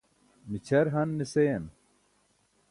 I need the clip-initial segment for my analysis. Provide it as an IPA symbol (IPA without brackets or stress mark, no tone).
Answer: m